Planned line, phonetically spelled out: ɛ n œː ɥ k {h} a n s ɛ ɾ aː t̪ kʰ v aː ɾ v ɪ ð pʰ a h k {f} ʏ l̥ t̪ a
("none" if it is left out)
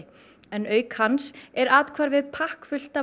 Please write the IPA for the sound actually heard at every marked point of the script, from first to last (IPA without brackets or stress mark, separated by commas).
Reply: h, f